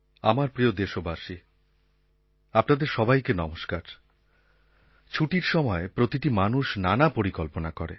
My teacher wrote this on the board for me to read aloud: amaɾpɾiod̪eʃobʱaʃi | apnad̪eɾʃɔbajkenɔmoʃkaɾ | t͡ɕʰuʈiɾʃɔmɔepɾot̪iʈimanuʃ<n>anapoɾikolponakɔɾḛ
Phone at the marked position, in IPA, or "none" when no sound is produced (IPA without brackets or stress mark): n